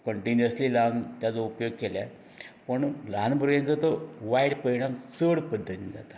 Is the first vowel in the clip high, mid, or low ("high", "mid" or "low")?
mid